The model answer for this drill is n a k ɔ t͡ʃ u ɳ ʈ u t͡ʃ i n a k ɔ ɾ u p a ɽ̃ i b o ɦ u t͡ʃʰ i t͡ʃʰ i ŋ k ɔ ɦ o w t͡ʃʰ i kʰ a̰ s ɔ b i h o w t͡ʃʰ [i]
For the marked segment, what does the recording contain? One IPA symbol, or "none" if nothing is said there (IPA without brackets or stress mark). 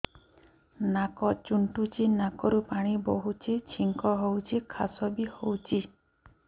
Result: i